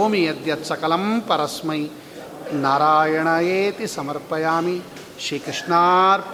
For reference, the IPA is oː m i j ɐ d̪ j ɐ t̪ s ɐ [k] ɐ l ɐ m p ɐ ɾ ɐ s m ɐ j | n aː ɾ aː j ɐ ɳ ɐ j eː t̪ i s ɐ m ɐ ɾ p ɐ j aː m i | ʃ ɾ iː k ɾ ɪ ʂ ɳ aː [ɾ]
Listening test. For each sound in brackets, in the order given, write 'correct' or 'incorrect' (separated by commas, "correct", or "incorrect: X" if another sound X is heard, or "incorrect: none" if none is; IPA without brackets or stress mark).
correct, correct